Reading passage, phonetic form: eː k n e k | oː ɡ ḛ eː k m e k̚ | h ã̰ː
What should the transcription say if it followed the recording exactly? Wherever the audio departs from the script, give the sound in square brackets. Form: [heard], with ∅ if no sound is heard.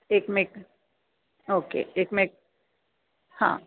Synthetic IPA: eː k [m] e k | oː [k] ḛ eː k m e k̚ | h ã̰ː